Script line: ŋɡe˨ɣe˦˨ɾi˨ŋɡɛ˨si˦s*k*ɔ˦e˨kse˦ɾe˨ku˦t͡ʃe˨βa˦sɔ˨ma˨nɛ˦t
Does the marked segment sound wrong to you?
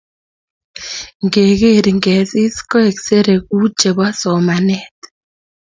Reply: no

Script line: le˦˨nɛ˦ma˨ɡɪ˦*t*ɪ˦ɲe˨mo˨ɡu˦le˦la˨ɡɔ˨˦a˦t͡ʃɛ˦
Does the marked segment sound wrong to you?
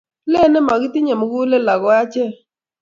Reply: no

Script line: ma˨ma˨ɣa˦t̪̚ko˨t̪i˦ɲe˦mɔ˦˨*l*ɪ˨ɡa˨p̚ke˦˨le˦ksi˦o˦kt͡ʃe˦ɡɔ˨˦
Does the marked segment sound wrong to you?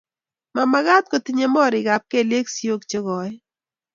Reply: yes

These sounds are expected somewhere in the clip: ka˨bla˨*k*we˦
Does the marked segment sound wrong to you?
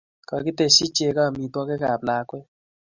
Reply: no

